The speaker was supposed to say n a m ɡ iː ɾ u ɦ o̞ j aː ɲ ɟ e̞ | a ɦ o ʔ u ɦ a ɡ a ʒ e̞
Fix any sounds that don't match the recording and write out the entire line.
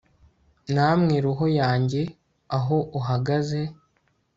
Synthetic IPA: n a m ŋ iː ɾ u ɦ o̞ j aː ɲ ɟ e̞ | a ɦ o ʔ u ɦ a ɡ a z e̞